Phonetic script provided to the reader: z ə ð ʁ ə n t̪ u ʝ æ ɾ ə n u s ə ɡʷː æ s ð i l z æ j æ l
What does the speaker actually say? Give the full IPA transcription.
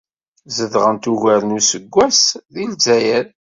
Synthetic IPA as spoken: z ə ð ʁ ə n t̪ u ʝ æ ɾ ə n u s ə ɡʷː æ s ð i l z æ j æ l